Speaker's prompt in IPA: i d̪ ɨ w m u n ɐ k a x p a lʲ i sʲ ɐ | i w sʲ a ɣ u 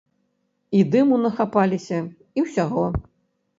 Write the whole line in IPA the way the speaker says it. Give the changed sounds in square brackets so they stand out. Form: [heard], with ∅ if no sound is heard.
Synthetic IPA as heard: i d̪ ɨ [∅] m u n ɐ [x] a [∅] p a lʲ i sʲ ɐ | i w sʲ a ɣ [ɔ]